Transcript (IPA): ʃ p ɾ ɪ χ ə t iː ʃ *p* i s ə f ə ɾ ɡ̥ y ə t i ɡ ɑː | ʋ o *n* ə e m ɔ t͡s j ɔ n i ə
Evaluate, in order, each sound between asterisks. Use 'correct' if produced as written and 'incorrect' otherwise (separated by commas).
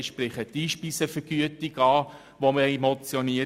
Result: correct, incorrect